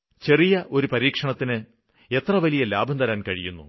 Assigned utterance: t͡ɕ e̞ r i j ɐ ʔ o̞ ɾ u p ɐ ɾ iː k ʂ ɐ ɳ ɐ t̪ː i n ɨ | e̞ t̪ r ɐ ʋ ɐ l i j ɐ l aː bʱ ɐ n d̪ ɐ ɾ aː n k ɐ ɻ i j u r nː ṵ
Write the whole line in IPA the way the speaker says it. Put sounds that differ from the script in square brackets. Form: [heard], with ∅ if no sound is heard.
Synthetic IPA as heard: t͡ɕ e̞ r i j ɐ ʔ o̞ ɾ u p ɐ ɾ iː k ʂ ɐ ɳ ɐ t̪ː i n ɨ | e̞ t̪ r ɐ ʋ ɐ l i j ɐ l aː bʱ ɐ n d̪ ɐ ɾ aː n k ɐ ɻ i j u [∅] nː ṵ